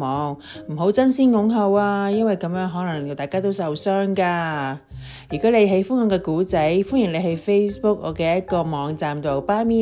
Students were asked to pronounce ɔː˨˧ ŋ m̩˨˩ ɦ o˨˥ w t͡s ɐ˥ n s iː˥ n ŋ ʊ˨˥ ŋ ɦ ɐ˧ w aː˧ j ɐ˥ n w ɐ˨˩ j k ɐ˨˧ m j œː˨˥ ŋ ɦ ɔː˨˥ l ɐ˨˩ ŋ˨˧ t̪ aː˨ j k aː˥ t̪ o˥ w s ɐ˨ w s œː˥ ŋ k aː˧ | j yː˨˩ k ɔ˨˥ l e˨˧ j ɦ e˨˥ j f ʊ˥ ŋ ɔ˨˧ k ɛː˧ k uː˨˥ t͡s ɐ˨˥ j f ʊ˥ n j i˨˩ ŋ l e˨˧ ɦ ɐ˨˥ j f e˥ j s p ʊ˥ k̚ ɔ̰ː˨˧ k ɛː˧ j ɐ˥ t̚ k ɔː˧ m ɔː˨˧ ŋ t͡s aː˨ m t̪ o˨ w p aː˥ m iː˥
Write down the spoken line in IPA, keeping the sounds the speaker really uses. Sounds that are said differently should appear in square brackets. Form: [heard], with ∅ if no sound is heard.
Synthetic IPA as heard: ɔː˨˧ ŋ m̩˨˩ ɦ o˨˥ w t͡s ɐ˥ n s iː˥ n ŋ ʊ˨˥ ŋ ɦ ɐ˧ w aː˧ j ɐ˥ n w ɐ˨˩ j k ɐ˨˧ m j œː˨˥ ŋ ɦ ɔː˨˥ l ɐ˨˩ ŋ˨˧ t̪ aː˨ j k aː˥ t̪ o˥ w s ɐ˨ w s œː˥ ŋ k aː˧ | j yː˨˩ k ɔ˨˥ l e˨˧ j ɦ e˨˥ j f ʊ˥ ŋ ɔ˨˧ k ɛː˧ k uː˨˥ t͡s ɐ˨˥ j f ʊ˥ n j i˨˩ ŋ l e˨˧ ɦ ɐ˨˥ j f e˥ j s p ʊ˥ k̚ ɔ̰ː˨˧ k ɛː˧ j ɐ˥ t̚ k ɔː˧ m ɔː˨˧ ŋ t͡s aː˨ m t̪ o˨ w p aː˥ m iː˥